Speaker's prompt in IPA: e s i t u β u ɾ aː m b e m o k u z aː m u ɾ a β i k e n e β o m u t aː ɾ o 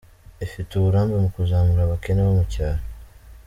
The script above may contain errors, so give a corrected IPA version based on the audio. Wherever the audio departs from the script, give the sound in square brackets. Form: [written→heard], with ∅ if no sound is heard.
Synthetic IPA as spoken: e [s→f] i t u β u ɾ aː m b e m [o→u] k u z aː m u ɾ a β [i→a] k e n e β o m u [t→c] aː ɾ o